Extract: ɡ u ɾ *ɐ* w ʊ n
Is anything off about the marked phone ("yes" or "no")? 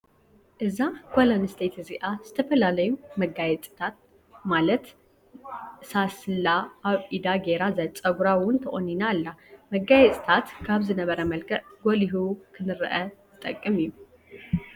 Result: yes